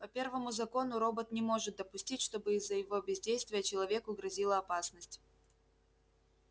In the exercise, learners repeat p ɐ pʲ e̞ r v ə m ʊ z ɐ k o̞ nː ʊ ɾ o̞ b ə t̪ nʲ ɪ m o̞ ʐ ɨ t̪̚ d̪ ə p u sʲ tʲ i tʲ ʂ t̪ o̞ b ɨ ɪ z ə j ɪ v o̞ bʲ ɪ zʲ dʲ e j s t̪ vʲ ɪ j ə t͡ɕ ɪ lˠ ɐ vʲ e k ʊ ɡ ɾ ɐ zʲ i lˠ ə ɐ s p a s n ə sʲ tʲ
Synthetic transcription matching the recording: p ɐ pʲ e̞ r v ə m ʊ z ɐ k o̞ n ʊ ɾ o̞ b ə t̪ nʲ ɪ m o̞ ʐ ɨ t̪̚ d̪ ə p ʊ sʲ tʲ i tʲ ʂ t̪ o̞ b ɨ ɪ zː ə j ɪ v o̞ bʲ ɪ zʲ dʲ e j s t̪ vʲ ɪ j ə t͡ɕ ɪ lˠ ɐ vʲ e k ʊ ɡ ɾ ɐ zʲ i lˠ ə ɐ p a s n ə sʲ tʲ